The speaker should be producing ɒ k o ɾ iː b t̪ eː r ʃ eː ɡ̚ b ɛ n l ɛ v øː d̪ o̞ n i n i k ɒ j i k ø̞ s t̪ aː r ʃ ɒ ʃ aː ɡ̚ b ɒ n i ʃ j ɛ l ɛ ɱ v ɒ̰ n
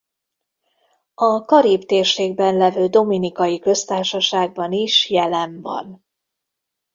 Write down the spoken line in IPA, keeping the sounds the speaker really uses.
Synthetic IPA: ɒ k ɒ ɾ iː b t̪ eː r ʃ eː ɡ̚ b ɛ n l ɛ v øː d̪ o̞ m i n i k ɒ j i k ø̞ s t̪ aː r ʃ ɒ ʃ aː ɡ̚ b ɒ n i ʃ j ɛ l ɛ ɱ v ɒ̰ n